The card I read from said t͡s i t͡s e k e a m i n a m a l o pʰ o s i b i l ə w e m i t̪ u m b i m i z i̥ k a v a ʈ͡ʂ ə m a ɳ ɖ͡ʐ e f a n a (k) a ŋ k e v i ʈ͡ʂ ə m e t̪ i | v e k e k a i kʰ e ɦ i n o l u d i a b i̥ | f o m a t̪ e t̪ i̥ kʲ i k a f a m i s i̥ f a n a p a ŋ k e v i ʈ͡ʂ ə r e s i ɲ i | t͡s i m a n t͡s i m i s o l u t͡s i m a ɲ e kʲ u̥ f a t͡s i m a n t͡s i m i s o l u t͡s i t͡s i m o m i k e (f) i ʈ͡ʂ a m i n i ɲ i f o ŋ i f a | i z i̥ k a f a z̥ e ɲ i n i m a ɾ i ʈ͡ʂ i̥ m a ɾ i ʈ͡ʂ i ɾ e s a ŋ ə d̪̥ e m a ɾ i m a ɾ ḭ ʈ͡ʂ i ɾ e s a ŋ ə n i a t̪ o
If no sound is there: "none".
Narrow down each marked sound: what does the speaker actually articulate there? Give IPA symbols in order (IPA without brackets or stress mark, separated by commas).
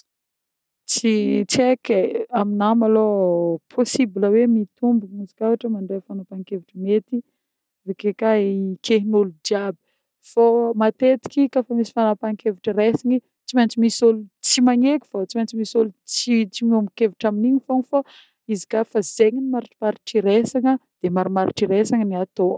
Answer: p, v